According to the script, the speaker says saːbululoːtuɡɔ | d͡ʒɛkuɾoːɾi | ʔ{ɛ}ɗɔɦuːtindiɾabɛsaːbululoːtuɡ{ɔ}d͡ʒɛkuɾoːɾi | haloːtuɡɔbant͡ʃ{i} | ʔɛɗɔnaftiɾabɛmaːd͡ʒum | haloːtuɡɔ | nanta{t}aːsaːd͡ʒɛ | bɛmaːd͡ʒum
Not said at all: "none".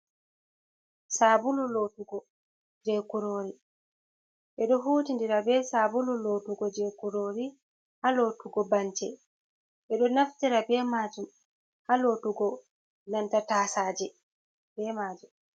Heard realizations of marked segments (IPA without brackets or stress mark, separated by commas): ɛ, ɔ, ɛ, t